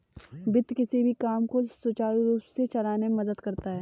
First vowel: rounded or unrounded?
unrounded